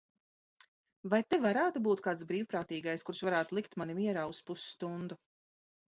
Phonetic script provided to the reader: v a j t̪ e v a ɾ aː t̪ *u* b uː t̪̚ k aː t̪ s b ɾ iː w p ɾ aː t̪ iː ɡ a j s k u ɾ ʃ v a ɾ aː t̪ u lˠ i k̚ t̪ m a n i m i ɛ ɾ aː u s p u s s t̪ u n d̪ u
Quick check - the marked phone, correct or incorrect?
correct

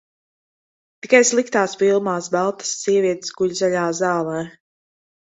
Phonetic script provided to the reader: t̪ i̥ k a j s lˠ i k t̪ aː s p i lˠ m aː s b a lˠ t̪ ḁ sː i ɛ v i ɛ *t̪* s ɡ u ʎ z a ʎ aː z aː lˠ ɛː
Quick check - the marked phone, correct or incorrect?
correct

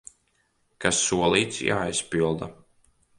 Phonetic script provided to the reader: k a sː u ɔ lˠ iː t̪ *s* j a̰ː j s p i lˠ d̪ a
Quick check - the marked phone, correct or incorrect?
correct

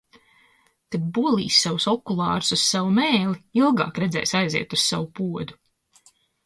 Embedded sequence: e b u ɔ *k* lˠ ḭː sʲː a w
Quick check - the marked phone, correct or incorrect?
incorrect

